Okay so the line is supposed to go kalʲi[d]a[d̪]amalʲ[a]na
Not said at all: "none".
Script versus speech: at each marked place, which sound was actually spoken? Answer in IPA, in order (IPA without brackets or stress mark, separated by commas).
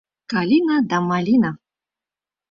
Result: n, d̪, i